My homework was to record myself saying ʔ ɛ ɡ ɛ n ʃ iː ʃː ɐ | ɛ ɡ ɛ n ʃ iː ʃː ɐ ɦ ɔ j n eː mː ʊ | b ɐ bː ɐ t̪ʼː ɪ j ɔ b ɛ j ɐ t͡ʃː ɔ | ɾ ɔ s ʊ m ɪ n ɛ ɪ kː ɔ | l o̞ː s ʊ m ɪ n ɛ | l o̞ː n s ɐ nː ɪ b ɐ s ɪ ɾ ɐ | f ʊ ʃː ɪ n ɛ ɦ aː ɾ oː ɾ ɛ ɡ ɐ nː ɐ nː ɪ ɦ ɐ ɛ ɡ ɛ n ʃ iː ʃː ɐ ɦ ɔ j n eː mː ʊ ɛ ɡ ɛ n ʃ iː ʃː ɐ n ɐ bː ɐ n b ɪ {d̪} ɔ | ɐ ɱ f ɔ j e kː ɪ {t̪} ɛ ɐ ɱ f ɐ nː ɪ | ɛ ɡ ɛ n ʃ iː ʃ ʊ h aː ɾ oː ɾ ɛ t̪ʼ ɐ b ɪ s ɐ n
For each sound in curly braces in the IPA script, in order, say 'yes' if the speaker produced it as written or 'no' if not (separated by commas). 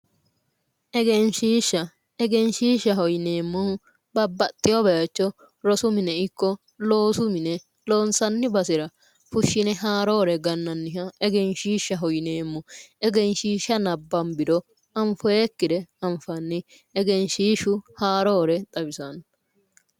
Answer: yes, no